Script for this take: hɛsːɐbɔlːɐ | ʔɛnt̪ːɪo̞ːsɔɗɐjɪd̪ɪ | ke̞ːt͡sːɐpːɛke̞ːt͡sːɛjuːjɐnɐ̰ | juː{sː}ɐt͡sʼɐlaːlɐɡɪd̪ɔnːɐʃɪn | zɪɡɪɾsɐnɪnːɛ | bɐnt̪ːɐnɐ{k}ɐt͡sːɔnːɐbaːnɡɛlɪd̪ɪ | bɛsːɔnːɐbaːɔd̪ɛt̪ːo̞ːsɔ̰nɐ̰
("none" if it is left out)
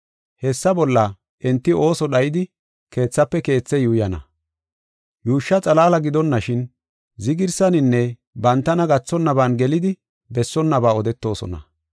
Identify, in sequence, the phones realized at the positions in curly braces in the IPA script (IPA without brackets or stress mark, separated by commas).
ʃː, ɡ